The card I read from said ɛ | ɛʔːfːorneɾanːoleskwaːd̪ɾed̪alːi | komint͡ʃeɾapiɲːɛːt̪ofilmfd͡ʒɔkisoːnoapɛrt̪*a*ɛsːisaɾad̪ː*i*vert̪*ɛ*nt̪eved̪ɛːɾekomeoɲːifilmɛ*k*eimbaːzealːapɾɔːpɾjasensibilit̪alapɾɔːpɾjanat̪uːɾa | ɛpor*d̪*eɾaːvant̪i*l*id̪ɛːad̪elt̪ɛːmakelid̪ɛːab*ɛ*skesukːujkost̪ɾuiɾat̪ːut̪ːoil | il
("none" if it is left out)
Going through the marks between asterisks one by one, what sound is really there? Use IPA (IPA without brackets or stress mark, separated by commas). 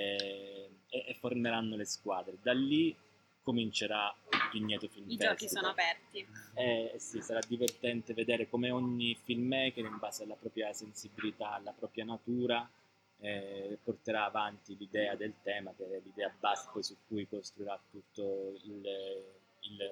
i, i, ɛ, k, t̪, l, a